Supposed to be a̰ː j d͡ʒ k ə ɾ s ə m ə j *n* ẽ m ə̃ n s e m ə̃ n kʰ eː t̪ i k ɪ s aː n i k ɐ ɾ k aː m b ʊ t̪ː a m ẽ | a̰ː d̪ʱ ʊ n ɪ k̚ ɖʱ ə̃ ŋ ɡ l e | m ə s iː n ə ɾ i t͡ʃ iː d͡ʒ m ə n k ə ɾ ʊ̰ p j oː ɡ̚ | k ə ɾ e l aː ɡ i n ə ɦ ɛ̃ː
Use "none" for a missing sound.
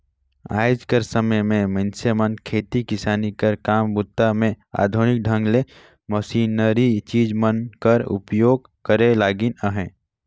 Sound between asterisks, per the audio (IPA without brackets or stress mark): m